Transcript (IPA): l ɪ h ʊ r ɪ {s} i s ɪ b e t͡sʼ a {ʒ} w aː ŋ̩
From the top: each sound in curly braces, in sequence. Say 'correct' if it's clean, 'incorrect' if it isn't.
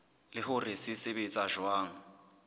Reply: correct, correct

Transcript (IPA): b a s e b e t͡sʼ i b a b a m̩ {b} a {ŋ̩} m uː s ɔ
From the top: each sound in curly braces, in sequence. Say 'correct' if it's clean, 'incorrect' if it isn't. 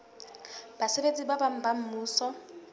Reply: correct, incorrect: m̩

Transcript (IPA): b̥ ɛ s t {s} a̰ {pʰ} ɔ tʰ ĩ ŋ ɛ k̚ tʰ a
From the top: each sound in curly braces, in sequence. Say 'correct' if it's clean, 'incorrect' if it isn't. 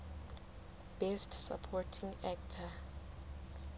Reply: correct, correct

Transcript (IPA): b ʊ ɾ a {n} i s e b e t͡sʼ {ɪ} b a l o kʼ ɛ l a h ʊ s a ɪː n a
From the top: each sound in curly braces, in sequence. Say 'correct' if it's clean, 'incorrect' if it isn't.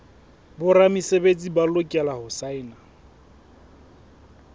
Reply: incorrect: m, incorrect: i

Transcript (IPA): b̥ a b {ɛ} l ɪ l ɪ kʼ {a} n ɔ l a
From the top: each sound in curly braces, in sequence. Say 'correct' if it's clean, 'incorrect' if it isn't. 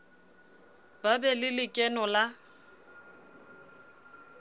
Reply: correct, incorrect: ɛ

